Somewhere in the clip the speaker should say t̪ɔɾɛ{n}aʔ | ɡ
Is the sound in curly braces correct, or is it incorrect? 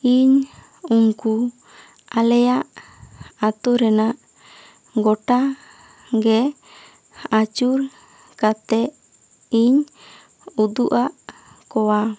correct